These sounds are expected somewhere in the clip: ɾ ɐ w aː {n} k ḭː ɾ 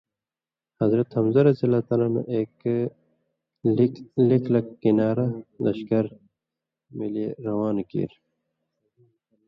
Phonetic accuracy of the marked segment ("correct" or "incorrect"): correct